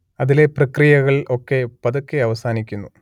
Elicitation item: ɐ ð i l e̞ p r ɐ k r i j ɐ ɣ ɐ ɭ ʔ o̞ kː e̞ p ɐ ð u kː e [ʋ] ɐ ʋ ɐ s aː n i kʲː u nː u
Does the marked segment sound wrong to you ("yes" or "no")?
yes